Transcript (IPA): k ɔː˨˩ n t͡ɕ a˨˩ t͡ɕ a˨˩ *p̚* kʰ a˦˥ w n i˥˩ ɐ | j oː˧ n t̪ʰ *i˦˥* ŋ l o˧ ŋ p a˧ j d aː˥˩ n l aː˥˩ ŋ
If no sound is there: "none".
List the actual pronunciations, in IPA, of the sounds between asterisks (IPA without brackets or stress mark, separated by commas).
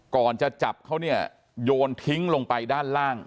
p̚, i˦˥